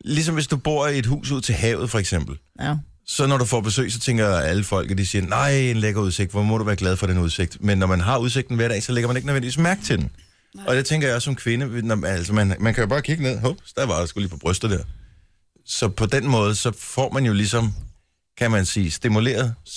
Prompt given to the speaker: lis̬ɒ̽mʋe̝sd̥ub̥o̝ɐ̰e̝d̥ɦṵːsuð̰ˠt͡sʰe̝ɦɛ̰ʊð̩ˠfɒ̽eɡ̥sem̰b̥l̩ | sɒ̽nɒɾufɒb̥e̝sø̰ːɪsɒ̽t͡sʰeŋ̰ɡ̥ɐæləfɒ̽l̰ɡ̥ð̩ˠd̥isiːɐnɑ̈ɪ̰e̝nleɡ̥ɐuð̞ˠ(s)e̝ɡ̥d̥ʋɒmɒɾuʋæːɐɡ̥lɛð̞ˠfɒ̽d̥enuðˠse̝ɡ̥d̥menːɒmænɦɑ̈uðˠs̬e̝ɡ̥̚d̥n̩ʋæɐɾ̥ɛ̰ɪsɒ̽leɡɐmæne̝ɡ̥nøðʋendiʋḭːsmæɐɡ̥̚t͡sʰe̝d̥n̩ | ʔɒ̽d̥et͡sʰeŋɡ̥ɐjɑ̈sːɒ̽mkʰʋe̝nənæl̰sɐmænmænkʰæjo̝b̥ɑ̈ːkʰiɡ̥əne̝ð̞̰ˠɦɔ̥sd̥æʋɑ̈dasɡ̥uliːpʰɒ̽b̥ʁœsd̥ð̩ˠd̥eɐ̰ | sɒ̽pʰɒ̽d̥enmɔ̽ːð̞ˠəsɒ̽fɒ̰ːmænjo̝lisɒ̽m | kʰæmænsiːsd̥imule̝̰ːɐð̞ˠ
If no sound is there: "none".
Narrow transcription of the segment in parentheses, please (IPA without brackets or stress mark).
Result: s